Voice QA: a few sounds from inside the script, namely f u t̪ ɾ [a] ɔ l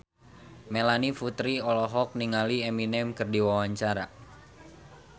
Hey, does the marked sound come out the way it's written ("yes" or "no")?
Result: no